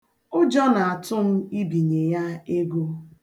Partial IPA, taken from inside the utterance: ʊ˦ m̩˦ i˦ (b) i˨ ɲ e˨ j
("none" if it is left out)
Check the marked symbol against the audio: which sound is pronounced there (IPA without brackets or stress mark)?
b